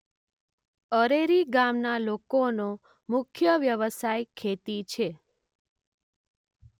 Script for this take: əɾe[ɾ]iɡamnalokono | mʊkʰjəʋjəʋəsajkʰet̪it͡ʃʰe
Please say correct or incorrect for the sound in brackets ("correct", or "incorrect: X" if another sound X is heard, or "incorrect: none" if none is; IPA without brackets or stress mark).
correct